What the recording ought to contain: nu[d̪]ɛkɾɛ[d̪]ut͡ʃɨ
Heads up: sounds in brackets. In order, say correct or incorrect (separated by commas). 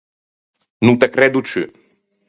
incorrect, correct